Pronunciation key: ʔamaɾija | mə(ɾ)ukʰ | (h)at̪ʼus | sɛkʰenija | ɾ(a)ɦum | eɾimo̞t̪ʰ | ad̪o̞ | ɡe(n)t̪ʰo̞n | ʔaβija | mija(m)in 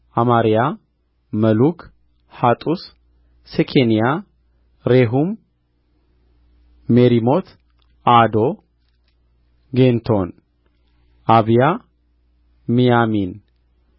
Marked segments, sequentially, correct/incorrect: incorrect: l, correct, incorrect: e, correct, correct

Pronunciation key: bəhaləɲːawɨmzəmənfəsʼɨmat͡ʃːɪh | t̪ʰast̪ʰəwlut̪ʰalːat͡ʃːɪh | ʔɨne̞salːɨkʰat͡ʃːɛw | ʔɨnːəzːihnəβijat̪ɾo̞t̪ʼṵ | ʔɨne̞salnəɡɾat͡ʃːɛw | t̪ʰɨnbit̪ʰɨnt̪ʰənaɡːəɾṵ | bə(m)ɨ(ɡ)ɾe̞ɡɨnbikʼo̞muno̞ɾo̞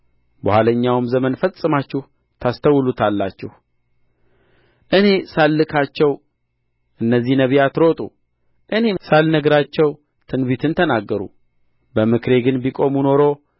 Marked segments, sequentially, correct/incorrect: correct, incorrect: k

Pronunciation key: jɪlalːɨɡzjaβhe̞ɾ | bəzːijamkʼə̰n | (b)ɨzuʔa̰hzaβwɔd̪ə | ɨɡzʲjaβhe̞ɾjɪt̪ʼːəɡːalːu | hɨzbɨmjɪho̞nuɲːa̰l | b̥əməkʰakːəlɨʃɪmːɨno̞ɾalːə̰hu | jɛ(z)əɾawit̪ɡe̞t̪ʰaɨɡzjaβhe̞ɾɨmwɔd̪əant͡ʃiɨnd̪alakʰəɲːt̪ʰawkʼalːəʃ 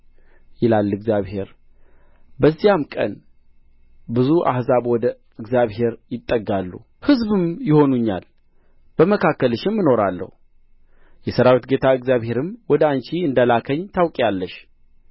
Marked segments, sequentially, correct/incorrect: correct, incorrect: s

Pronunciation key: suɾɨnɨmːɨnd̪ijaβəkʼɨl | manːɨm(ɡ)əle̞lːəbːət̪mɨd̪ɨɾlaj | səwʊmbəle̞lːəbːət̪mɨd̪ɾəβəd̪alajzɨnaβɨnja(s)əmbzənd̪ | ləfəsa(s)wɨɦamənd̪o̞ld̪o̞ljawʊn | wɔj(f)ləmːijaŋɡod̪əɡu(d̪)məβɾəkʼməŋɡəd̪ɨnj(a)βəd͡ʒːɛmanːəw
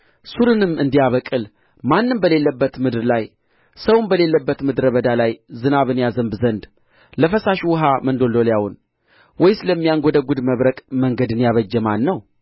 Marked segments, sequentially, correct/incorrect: incorrect: b, incorrect: z, incorrect: ʃ, incorrect: s, correct, correct

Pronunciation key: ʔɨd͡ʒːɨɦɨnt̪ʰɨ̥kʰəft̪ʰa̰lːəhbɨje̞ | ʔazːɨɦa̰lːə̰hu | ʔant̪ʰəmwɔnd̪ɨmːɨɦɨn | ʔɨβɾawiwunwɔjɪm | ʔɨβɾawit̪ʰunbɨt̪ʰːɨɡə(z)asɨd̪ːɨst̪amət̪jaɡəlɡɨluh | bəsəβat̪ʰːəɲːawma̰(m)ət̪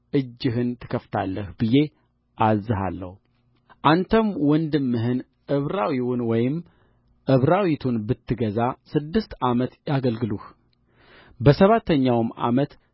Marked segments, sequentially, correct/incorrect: correct, correct

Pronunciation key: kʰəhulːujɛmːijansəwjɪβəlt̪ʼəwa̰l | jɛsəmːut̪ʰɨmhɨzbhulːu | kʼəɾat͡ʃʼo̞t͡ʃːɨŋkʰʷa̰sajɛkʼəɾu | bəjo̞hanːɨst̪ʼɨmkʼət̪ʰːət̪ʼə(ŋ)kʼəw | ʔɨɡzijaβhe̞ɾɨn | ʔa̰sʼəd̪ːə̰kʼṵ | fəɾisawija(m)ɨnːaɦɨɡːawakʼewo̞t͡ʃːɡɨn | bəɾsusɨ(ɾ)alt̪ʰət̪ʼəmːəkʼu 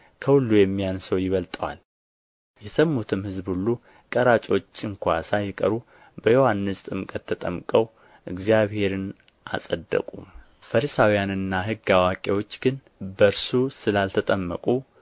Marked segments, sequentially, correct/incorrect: incorrect: m, incorrect: n, incorrect: l

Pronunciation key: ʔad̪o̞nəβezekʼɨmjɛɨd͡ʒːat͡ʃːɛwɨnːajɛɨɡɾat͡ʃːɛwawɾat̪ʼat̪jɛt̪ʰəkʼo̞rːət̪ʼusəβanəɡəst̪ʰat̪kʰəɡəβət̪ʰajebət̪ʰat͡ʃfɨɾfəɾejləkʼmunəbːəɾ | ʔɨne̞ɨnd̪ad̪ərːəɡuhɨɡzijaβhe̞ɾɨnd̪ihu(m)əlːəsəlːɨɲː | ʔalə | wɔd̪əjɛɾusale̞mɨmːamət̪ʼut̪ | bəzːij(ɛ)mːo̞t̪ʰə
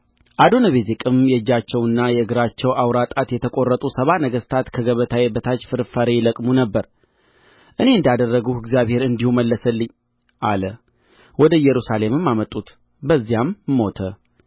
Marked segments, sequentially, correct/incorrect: correct, incorrect: a

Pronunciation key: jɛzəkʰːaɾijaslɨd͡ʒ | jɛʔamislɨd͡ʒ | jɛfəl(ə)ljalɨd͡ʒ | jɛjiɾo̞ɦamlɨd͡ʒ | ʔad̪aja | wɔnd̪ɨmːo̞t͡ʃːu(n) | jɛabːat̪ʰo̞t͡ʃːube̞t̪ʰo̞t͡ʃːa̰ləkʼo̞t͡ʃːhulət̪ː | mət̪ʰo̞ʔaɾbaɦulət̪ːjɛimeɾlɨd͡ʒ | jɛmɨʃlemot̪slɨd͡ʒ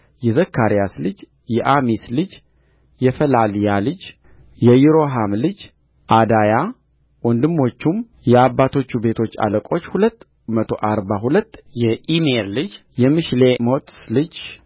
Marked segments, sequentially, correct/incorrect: incorrect: a, incorrect: m

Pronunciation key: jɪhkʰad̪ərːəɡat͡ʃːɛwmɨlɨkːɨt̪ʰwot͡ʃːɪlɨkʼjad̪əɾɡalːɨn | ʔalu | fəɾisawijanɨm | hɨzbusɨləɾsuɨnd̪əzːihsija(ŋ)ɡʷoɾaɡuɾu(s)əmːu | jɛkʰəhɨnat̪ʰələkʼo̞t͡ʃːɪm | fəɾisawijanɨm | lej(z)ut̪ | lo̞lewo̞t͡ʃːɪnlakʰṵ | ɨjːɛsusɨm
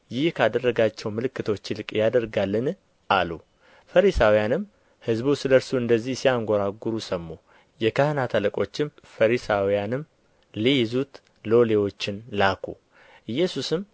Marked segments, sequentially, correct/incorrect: correct, correct, correct

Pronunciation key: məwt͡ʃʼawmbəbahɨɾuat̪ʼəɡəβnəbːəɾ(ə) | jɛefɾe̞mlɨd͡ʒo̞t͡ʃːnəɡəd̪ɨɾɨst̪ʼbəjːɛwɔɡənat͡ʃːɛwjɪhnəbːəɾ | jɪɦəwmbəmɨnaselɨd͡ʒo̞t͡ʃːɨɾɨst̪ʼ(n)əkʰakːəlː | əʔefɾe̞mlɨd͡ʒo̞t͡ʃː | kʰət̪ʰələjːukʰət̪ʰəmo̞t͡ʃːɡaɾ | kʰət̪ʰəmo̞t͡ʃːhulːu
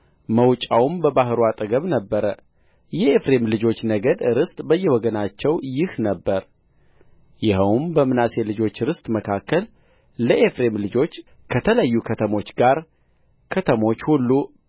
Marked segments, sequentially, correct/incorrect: correct, incorrect: m

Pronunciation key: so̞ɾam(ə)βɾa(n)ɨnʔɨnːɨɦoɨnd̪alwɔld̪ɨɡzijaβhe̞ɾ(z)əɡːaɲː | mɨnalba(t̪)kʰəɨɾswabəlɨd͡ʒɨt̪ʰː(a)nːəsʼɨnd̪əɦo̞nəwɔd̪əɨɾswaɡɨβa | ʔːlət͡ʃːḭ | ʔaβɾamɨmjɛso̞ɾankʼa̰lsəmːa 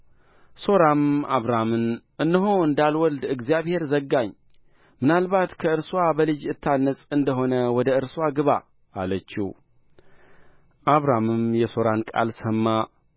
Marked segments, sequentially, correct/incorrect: incorrect: a, incorrect: m, correct, correct, correct

